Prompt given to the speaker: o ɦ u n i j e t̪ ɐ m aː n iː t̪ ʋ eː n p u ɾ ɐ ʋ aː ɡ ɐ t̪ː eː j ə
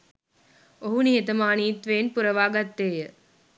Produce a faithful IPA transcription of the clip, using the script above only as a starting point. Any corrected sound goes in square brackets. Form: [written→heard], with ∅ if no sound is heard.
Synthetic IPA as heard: o ɦ u n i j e t̪ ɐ m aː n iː t̪ ʋ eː n p u ɾ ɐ ʋ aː ɡ ɐ t̪ː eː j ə